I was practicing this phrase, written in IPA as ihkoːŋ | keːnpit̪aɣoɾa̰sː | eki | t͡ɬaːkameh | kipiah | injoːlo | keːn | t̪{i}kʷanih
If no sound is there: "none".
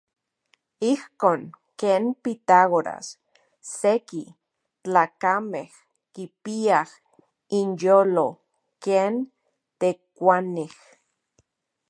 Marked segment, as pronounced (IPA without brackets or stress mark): e